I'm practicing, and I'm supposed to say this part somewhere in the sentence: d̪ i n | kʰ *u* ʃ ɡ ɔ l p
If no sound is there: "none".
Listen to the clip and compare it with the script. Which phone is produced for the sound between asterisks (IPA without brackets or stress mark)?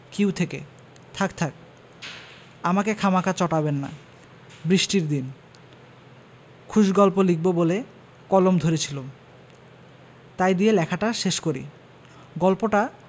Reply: u